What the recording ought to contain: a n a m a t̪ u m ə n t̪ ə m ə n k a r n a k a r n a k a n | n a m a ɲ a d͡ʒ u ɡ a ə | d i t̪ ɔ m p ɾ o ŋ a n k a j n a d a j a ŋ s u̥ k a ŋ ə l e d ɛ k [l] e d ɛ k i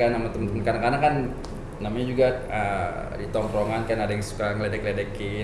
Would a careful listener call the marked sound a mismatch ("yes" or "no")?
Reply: no